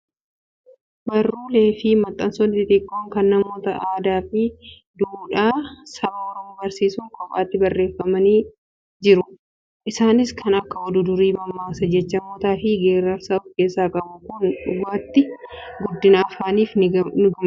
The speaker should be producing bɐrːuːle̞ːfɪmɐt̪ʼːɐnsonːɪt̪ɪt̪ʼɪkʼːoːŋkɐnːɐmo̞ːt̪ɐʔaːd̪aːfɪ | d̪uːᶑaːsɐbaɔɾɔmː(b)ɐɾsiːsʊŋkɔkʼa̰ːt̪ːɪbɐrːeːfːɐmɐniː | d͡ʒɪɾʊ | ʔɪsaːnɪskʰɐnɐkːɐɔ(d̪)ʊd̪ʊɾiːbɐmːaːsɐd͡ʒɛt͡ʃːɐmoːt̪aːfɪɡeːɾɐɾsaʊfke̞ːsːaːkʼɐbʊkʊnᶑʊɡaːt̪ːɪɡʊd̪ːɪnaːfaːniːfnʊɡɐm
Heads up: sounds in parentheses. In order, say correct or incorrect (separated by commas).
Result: correct, correct